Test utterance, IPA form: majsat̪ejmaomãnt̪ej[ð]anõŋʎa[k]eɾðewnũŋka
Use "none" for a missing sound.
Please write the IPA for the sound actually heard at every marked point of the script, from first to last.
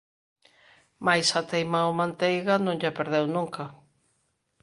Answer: ɣ, p

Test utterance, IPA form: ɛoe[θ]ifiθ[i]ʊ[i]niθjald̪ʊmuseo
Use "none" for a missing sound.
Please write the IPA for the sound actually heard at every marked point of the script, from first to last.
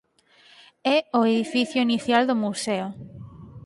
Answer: ð, j, i

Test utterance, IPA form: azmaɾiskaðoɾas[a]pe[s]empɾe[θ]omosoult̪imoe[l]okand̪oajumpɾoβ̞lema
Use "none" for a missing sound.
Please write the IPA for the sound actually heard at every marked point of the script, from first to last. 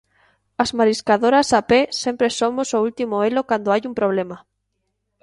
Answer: a, s, s, l

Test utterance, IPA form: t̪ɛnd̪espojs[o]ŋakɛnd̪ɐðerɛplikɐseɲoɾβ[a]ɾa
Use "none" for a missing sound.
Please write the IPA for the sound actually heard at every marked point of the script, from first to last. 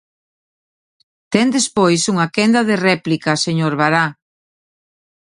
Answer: u, a

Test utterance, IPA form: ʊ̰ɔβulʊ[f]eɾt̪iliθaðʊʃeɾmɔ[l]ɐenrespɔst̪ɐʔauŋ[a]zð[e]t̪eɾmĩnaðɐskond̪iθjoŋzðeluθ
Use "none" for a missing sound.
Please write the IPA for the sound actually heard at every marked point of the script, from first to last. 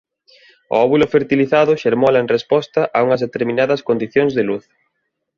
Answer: f, l, ɐ, e

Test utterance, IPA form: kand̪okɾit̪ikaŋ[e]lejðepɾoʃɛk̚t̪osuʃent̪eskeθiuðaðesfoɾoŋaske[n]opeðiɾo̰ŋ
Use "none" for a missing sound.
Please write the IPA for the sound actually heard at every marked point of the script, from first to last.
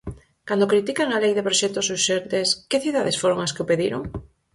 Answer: a, none

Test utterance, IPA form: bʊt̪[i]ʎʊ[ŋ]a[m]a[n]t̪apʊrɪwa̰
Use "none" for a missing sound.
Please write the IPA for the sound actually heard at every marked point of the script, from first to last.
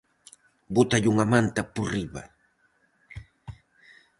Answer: a, ŋ, m, n

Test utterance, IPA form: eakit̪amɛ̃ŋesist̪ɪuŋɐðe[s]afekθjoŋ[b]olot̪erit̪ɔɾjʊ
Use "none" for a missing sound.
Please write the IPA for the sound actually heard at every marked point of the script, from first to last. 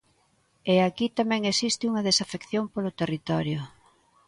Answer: s, p

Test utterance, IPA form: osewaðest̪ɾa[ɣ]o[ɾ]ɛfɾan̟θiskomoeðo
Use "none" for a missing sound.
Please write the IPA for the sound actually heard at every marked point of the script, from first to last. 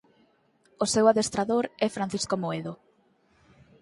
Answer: ð, ɾ

